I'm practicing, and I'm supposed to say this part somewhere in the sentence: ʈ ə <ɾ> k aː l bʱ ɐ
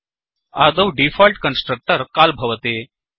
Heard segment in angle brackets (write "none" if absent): ɾ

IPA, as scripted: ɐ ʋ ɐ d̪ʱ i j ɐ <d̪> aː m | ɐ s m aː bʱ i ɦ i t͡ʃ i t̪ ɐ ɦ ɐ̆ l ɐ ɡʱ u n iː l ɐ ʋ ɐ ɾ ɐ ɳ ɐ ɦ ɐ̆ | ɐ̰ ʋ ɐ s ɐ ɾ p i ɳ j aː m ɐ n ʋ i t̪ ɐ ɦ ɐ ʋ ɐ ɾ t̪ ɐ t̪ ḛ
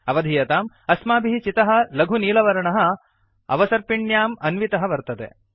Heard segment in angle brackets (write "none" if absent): t̪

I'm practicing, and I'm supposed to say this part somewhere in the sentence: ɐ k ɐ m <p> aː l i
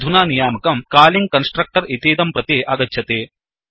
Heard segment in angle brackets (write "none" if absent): k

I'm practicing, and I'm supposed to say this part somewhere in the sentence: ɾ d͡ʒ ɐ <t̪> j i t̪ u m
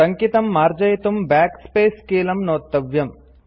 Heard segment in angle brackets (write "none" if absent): none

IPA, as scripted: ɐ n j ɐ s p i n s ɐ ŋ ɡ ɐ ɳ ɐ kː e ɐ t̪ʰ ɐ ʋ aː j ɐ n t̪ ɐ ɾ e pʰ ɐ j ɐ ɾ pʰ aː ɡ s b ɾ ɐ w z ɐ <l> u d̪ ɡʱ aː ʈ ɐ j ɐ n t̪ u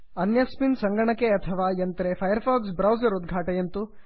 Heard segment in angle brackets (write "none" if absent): ɾ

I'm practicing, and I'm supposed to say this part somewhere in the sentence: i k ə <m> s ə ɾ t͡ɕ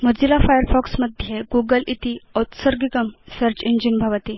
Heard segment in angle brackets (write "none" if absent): m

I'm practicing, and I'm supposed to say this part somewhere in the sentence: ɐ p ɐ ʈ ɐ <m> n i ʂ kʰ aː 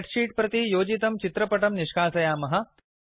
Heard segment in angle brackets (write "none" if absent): m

